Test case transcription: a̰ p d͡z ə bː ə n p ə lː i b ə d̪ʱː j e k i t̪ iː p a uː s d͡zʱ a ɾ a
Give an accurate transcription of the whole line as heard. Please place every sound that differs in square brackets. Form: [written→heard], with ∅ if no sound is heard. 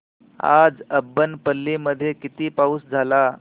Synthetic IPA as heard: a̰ [p→∅] d͡z ə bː ə n p ə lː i [b→m] ə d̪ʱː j e k i t̪ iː p a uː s d͡zʱ a [ɾ→l] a